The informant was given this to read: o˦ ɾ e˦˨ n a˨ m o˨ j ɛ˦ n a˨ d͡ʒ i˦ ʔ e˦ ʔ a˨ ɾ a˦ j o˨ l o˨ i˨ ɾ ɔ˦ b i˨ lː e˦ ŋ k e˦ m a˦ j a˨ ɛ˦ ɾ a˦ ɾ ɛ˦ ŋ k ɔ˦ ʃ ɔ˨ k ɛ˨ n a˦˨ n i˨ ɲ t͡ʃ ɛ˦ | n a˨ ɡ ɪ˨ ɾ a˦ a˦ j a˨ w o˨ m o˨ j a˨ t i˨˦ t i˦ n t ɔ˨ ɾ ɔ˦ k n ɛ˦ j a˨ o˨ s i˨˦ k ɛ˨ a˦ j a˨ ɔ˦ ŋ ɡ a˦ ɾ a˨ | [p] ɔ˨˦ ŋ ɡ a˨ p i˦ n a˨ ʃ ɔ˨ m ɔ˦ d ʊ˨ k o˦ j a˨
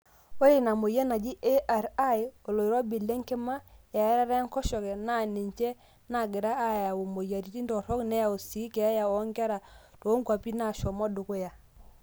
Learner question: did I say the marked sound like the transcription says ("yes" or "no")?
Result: no